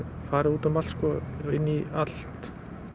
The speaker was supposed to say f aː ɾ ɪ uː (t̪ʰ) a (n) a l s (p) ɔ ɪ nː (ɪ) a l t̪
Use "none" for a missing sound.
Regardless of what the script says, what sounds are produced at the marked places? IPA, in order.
t̪, m, k, i

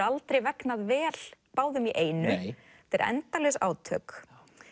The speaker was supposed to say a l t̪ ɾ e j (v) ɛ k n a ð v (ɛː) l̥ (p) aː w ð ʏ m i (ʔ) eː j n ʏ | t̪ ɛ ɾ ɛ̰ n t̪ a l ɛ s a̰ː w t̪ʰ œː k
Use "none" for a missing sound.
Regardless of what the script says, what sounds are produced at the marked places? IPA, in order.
v, ɛː, p, ʔ

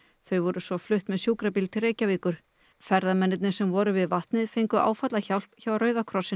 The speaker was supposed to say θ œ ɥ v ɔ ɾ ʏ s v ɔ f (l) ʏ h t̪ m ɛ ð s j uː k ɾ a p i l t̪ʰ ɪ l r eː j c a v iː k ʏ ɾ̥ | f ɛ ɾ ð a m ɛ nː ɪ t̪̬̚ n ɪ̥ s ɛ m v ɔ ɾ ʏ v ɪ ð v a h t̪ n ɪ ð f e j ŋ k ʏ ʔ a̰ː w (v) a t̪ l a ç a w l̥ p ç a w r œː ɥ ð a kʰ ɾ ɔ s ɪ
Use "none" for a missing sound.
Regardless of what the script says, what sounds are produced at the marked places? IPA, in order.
l, f

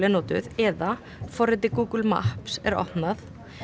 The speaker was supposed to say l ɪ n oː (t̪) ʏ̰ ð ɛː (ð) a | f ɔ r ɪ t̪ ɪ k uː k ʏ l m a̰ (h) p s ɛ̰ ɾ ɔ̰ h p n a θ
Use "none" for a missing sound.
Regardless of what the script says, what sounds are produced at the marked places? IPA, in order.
t̪, ð, h

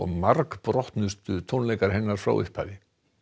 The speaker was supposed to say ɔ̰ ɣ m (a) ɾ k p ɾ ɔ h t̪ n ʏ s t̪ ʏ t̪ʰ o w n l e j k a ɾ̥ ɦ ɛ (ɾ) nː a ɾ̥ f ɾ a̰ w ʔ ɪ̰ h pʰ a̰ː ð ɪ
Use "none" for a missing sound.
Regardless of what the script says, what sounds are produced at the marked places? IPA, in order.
a, none

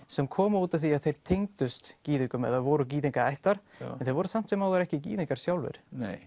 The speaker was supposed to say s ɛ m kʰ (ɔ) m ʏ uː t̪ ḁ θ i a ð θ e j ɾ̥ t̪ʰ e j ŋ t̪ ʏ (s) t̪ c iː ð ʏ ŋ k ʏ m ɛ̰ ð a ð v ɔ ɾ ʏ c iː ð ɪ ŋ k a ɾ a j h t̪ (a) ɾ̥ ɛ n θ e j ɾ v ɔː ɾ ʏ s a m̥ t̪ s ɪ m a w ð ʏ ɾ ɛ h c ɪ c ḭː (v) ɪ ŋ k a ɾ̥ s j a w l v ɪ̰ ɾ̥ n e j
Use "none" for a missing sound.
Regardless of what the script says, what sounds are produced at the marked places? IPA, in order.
ɔː, s, a, ð

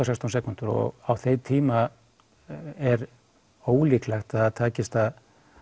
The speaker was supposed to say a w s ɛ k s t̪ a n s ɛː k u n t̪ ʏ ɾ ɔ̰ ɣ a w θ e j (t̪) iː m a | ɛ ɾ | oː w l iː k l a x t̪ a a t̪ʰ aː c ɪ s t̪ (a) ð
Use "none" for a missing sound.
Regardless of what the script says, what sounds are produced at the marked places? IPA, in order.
t̪ʰ, a

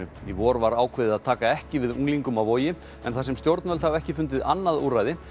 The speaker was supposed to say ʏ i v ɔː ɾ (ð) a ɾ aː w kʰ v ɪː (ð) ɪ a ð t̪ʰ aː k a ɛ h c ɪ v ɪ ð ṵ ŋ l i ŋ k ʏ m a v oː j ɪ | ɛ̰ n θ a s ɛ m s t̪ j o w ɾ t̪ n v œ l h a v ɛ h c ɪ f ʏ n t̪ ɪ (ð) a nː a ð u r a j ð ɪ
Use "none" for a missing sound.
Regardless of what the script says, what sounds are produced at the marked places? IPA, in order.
v, ð, ð

